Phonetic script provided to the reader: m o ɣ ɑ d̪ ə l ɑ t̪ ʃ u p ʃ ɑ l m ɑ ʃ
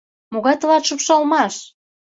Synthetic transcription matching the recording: m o ɣ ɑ t̪ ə l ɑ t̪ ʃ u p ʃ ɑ l m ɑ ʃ